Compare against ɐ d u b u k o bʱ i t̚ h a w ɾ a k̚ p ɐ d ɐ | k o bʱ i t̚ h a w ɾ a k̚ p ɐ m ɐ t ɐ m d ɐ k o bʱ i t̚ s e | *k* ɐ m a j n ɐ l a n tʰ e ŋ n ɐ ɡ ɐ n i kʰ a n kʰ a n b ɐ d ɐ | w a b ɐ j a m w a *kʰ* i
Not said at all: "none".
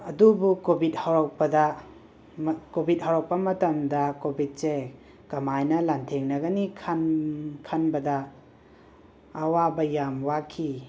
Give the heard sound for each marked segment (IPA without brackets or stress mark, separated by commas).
k, kʰ